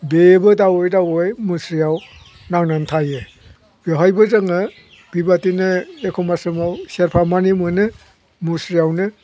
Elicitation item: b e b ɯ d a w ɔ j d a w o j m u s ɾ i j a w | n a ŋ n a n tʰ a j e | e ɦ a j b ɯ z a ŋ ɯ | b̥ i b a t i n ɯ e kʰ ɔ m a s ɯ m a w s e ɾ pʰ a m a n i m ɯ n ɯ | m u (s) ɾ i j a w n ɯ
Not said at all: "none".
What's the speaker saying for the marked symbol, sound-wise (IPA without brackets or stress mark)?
s